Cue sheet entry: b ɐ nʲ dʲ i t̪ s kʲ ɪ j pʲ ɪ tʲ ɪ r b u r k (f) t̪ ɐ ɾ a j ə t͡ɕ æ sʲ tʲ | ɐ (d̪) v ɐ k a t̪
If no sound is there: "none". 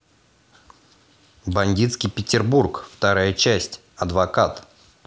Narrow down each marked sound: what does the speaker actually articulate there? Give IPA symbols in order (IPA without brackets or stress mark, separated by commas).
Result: f, d̪